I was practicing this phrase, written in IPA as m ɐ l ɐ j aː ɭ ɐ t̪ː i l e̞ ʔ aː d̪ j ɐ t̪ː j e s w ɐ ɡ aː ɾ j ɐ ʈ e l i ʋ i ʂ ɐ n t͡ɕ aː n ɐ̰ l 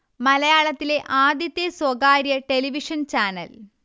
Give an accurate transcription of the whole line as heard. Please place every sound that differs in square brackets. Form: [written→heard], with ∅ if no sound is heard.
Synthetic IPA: m ɐ l ɐ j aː ɭ ɐ t̪ː i l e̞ ʔ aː d̪ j ɐ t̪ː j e s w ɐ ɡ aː ɾ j ɐ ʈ e l i ʋ i ʂ ɐ n t͡ɕ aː n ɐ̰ l